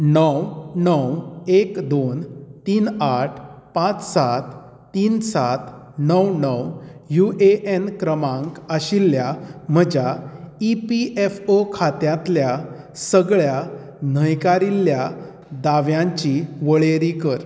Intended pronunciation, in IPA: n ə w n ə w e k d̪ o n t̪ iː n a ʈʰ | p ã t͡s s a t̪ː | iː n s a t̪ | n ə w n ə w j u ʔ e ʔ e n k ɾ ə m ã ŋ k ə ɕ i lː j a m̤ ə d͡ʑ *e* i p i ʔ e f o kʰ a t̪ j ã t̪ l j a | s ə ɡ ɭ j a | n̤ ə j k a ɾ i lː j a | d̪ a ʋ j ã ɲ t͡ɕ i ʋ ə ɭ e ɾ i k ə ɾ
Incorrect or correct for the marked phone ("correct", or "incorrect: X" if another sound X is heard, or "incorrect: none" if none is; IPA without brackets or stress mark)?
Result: incorrect: a